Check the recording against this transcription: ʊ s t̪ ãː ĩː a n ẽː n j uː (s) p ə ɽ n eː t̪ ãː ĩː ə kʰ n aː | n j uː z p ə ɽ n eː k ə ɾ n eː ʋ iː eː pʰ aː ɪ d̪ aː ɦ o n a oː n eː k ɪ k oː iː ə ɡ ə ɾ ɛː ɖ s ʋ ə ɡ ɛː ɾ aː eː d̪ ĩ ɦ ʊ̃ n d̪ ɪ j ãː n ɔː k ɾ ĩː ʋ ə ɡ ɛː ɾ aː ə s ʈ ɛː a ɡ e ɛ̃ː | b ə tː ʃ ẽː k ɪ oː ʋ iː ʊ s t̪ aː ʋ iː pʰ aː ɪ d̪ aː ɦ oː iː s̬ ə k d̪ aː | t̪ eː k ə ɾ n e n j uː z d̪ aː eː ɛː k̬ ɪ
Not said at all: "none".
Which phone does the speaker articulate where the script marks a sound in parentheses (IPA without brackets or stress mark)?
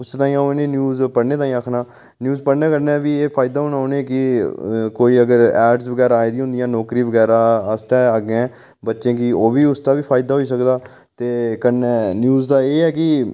z